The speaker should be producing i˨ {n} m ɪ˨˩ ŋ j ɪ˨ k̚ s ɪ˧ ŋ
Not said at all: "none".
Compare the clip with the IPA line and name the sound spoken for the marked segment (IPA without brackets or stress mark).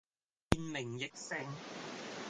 n